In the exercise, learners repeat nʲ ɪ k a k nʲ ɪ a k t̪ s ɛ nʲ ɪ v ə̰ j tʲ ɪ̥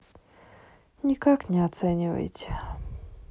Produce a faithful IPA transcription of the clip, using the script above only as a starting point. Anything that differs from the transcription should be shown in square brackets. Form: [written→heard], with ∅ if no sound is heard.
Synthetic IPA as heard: nʲ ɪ k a k nʲ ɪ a [k→∅] t̪ s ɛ nʲ ɪ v ə̰ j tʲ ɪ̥